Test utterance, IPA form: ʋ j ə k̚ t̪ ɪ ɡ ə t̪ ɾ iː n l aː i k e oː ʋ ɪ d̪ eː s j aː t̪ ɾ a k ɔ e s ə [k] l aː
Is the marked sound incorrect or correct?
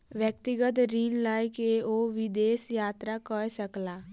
correct